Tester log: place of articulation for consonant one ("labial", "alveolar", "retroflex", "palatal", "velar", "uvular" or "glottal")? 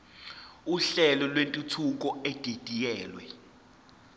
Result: alveolar